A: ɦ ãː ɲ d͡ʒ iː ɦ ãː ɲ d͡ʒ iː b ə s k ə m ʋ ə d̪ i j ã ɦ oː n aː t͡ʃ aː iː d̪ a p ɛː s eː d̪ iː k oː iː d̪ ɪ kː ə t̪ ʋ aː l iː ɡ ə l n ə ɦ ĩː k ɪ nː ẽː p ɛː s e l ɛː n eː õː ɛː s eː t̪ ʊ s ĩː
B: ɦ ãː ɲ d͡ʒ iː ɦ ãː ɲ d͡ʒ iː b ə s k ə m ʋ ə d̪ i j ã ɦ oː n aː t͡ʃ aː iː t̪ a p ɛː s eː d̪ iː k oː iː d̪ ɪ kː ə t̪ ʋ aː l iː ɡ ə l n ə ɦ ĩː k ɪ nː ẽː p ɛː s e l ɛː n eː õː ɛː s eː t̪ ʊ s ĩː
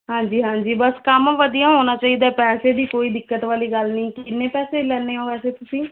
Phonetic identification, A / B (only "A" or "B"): A